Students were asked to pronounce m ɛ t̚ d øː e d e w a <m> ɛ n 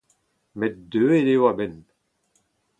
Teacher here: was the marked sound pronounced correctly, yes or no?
no